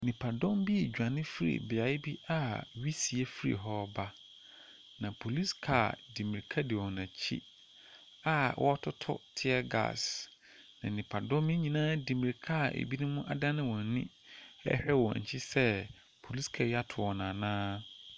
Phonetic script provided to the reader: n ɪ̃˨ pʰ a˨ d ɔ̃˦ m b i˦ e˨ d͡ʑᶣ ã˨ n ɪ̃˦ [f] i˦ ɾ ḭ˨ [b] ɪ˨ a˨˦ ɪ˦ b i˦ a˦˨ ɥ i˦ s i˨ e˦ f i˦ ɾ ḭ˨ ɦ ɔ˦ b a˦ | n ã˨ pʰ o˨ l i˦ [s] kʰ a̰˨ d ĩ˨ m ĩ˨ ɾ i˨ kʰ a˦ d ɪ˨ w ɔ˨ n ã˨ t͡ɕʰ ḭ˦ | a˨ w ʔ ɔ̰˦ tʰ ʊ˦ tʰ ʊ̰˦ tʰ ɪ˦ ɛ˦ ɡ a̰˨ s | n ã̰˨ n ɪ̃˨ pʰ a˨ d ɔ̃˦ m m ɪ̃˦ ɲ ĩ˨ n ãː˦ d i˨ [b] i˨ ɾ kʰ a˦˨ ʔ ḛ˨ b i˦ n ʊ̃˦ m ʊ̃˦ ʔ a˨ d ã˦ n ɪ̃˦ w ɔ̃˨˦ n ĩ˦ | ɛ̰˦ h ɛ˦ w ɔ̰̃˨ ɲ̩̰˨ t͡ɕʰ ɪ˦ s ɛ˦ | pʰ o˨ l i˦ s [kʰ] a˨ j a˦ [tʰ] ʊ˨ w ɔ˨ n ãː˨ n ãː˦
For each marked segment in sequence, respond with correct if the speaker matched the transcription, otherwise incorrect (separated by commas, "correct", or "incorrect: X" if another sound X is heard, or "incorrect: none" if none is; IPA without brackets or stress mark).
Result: correct, correct, correct, incorrect: m, correct, correct